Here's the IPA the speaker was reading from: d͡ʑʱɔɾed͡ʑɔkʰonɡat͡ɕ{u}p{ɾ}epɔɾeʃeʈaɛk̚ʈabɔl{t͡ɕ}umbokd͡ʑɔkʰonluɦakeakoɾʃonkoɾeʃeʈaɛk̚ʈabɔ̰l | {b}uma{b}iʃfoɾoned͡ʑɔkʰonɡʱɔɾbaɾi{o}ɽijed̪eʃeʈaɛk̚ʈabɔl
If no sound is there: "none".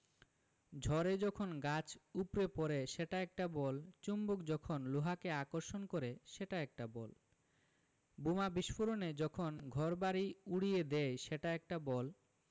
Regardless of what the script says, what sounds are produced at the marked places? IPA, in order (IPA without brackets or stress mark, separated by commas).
u, ɾ, t͡ɕ, b, b, u